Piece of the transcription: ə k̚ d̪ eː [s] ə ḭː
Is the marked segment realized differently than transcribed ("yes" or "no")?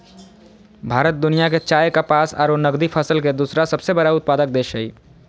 yes